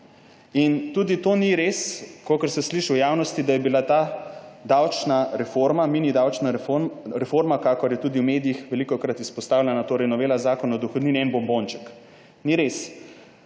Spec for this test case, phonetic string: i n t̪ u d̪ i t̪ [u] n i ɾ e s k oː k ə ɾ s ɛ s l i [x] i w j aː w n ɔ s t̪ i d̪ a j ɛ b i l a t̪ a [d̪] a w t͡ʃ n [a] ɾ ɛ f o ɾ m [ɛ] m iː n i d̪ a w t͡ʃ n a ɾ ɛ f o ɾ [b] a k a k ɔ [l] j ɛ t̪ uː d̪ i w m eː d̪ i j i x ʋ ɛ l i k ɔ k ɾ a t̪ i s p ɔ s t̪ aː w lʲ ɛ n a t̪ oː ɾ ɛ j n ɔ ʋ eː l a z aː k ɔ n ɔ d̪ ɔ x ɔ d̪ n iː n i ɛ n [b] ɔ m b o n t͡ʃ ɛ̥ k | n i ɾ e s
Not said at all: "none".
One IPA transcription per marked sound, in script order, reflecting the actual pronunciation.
o, ʃ, d̪, a, a, m, ɾ, b

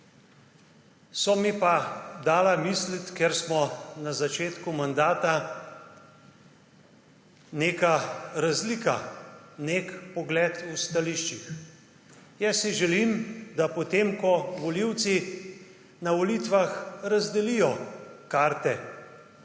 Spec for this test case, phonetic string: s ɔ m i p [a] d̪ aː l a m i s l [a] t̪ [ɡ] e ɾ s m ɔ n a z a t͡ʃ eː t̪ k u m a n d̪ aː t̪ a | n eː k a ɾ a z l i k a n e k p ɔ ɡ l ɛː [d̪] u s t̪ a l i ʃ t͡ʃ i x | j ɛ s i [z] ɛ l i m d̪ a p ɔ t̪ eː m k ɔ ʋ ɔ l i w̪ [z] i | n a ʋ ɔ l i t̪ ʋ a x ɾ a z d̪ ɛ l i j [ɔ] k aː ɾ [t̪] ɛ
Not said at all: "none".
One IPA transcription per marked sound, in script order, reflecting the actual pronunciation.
a, i, k, t̪, ʒ, s, ɔ, t̪

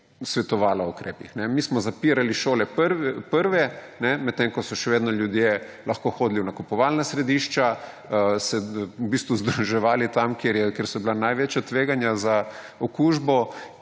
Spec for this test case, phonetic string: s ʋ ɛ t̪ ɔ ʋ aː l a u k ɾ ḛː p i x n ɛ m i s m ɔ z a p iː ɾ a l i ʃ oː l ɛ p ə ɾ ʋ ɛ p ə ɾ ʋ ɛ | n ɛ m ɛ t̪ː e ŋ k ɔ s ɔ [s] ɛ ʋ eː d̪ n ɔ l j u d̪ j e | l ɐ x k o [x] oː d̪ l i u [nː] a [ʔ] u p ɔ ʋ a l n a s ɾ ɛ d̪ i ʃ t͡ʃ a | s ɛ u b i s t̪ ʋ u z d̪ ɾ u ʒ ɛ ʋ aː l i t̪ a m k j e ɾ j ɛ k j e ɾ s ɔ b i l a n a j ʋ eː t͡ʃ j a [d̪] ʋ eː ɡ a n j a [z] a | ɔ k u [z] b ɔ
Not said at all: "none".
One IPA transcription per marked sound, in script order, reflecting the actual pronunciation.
ʃ, x, n, k, t̪, z, ʒ

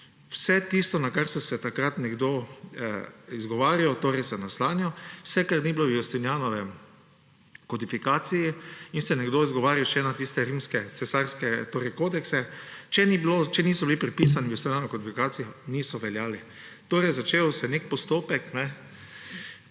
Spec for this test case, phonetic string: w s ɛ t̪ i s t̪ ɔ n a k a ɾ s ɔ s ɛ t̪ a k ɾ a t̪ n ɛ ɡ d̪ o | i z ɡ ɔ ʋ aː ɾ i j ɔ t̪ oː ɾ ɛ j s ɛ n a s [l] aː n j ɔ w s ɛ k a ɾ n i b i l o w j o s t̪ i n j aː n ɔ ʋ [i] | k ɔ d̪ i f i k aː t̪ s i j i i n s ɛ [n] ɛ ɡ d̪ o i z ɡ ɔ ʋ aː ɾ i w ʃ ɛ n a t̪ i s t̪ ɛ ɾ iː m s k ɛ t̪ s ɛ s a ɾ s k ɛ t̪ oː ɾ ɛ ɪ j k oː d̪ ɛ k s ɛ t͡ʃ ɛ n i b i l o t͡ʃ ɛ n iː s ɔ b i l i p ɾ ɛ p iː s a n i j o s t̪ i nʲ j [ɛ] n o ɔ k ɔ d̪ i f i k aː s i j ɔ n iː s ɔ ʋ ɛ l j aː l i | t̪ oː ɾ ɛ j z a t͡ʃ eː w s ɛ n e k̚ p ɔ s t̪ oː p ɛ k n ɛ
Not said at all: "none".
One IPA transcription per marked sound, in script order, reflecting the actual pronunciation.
l, ɛ, n, a

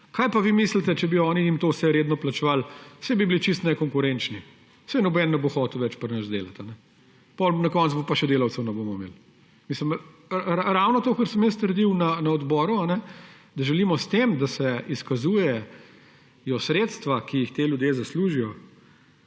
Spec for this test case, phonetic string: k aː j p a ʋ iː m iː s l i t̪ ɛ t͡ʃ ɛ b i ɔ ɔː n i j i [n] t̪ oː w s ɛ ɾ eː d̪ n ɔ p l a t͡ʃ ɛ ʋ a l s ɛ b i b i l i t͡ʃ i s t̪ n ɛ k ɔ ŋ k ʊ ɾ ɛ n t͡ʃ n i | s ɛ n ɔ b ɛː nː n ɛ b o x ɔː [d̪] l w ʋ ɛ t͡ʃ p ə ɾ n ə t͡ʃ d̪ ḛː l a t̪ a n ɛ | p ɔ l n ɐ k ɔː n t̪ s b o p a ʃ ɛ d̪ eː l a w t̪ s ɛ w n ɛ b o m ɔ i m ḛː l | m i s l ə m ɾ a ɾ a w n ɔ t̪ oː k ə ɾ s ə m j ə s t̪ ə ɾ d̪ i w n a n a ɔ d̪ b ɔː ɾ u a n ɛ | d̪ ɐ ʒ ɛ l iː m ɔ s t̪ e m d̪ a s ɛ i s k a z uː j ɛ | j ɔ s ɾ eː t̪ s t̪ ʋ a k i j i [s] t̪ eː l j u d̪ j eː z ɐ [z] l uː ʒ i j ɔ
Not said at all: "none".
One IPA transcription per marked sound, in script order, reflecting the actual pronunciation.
m, t̪, x, s

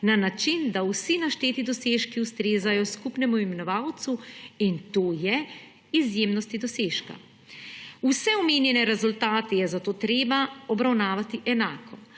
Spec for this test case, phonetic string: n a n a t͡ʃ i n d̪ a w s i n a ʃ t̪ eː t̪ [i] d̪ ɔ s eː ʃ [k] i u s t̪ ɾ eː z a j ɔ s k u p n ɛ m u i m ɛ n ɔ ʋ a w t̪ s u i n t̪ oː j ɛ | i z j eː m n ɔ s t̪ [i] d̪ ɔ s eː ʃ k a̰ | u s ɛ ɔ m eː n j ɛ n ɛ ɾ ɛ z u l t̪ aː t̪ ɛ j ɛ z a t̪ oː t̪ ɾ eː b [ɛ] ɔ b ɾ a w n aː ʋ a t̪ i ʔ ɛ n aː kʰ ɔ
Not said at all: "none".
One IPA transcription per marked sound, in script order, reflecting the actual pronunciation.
i, k, i, a

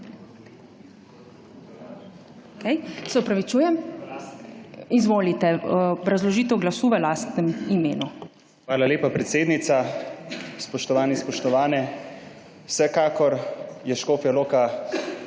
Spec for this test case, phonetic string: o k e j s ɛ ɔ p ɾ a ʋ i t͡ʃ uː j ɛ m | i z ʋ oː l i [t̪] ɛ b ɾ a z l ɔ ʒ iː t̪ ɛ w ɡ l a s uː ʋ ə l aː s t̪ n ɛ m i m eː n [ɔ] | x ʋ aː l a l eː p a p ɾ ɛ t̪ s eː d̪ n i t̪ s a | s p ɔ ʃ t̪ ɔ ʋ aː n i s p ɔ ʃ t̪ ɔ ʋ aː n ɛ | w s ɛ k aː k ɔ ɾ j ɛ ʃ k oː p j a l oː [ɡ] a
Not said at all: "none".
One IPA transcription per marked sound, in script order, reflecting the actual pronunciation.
t̪, u, k

